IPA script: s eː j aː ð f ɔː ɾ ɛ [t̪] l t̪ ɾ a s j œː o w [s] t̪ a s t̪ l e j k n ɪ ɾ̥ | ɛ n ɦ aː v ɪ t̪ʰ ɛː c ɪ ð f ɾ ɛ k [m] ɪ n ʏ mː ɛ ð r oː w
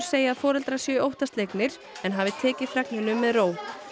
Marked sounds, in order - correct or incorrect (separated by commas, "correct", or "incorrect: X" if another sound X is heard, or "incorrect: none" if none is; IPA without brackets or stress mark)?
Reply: incorrect: none, incorrect: h, incorrect: n